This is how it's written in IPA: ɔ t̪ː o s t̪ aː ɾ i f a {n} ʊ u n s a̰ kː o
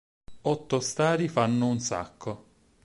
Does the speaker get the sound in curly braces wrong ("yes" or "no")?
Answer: yes